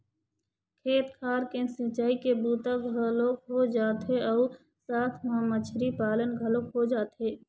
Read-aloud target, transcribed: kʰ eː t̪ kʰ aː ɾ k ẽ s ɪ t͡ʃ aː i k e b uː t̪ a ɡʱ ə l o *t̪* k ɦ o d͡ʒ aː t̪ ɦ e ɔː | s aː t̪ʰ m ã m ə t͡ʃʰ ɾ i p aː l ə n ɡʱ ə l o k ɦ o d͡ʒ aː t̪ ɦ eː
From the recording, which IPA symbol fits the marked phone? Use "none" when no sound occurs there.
none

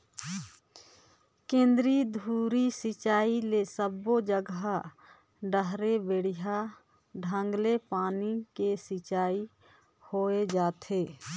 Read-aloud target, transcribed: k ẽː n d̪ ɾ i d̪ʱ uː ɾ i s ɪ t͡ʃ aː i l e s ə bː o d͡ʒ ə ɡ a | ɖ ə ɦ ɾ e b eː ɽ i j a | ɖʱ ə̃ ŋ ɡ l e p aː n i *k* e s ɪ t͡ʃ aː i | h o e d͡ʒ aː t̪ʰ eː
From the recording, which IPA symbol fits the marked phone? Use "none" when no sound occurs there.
k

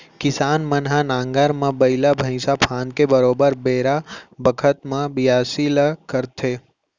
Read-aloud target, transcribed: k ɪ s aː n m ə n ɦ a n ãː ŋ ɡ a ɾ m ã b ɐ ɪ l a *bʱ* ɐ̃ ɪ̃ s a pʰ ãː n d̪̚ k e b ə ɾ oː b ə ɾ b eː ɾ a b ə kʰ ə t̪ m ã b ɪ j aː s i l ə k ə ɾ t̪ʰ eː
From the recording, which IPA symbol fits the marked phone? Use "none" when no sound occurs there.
bʱ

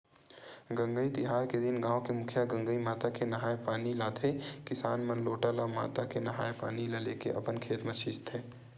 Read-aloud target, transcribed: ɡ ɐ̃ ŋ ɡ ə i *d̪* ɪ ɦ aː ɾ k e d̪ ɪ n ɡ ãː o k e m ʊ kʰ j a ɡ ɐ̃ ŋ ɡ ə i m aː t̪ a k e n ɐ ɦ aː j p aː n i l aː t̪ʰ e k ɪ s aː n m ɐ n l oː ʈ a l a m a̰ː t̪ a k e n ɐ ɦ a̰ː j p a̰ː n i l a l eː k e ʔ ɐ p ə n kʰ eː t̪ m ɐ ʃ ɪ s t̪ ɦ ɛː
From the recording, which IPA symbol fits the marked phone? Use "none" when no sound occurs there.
t̪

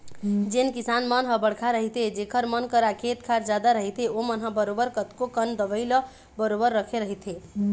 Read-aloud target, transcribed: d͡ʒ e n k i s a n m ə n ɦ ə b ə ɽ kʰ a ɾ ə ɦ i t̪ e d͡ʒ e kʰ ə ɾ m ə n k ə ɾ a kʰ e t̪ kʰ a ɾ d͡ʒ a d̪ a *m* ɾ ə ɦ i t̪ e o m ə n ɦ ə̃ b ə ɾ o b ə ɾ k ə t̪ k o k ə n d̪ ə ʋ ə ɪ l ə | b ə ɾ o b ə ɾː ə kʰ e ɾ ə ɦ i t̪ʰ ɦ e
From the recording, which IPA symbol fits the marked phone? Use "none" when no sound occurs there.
none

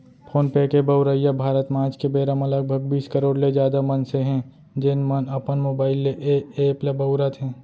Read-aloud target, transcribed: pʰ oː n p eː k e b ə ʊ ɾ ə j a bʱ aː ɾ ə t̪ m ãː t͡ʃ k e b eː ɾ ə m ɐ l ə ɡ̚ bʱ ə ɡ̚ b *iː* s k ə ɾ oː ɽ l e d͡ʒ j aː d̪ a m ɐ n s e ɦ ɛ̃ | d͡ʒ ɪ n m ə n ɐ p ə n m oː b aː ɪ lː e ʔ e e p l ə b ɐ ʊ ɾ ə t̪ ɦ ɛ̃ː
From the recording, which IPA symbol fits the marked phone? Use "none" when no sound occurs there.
iː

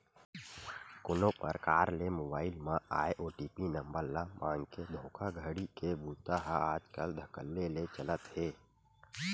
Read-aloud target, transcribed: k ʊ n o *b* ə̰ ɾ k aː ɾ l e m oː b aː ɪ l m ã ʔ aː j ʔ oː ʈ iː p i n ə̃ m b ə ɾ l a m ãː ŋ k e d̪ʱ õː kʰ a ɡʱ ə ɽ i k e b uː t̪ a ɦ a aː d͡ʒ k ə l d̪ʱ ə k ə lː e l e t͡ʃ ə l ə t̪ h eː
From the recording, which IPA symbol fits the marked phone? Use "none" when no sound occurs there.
p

